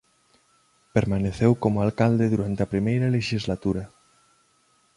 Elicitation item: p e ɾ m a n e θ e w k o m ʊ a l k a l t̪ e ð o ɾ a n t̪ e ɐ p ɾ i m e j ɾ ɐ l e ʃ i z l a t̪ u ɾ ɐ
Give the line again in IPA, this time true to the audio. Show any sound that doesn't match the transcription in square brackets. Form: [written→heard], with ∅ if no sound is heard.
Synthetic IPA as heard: p e ɾ m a n e θ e w k o m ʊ a l k a l [t̪→d̪] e ð [o→u] ɾ a n t̪ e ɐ p ɾ i m e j ɾ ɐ l e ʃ i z l a t̪ u ɾ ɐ